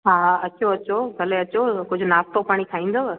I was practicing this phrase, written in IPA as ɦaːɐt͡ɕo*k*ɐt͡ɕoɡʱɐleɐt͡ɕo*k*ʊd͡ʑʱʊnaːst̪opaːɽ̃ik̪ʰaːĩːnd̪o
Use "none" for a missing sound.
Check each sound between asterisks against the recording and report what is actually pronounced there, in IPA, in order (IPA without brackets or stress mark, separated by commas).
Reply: none, k